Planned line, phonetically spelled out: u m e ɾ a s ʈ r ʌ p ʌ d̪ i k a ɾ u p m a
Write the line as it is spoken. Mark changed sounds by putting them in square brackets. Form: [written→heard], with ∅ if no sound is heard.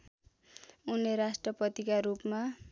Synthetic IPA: u [m→n] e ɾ a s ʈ r ʌ p ʌ [d̪→t̪] i k a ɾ u p m a